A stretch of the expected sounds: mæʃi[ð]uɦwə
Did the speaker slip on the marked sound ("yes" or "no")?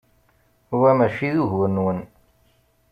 no